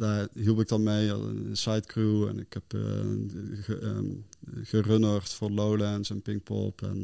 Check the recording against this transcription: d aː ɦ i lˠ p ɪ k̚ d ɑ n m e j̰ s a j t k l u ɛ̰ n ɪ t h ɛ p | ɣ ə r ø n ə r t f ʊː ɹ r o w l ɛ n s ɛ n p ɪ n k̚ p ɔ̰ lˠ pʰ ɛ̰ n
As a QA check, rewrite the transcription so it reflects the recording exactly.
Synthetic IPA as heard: d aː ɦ i lˠ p ɪ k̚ d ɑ n m e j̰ s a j t k r u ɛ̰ n ɪ k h ɛ p | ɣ ə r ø n ə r t f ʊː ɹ l o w l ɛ n s ɛ n p ɪ ŋ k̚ p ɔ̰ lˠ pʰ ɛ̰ n